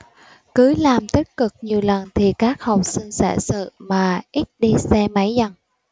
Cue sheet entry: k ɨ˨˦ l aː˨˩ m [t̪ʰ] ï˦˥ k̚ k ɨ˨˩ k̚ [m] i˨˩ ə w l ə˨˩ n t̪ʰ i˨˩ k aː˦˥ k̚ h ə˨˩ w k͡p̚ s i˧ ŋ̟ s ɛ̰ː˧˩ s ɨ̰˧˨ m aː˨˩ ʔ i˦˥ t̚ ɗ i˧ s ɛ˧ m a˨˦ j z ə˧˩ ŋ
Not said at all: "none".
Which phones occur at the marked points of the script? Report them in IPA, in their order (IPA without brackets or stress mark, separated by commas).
t̪, ɲ